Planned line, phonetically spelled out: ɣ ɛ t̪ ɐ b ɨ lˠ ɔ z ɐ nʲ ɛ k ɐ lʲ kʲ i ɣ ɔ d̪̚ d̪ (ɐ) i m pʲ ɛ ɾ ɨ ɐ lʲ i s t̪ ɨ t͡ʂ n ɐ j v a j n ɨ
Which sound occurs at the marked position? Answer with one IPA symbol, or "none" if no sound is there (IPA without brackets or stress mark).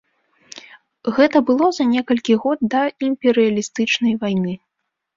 ɐ